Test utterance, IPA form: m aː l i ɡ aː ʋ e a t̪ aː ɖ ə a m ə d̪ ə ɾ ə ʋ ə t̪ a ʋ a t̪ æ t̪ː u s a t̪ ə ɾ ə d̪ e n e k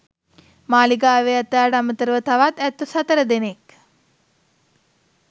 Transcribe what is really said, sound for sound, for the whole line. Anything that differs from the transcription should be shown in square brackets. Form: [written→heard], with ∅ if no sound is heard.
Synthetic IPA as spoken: m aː l i ɡ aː ʋ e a t̪ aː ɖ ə a m ə [d̪→t̪] ə ɾ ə ʋ ə t̪ a ʋ a t̪ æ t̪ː u s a t̪ ə ɾ ə d̪ e n e k